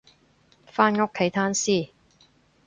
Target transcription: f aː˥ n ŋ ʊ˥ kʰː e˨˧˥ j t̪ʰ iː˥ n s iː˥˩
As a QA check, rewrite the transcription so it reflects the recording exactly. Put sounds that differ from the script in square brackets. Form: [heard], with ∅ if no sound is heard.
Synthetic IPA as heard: f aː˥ n ŋ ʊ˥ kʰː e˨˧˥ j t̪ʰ [aː˥] n s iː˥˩